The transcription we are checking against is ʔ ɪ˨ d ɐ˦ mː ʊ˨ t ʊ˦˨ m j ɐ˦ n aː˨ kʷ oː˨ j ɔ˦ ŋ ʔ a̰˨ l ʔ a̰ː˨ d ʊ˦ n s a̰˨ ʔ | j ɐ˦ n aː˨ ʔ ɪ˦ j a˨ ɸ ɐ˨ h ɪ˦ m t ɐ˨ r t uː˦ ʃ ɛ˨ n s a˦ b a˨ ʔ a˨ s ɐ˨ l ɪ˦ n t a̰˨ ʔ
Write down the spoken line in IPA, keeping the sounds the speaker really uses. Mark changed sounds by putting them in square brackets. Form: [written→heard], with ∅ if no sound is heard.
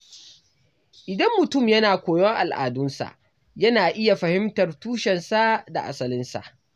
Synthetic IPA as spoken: ʔ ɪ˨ d ɐ˦ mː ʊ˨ t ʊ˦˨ m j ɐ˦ n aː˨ kʷ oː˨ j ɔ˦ ŋ ʔ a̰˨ l ʔ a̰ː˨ d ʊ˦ n s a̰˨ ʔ | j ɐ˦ n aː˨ ʔ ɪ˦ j a˨ ɸ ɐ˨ h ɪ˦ m t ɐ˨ r t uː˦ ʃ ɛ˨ n s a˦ [b→d] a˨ ʔ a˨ s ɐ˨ l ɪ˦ n [t→s] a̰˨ ʔ